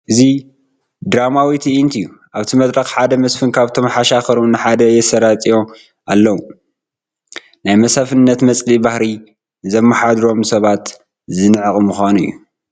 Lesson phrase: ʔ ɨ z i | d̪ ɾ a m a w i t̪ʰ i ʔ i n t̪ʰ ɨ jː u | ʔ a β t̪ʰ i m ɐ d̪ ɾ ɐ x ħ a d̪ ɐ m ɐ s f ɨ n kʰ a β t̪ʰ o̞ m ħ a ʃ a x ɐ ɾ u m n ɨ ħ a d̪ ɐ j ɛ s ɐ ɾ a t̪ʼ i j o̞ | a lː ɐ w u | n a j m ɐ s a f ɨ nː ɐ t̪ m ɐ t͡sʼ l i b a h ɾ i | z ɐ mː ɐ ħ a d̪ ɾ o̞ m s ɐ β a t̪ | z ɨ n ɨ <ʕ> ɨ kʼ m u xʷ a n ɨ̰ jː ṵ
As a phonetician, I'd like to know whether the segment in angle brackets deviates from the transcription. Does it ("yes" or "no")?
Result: no